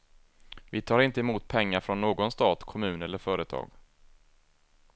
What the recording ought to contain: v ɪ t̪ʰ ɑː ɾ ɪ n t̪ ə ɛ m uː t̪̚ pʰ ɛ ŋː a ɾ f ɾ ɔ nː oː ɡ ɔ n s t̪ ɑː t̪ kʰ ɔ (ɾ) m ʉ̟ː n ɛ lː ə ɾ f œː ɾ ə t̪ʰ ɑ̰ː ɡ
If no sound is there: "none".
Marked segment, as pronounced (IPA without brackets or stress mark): none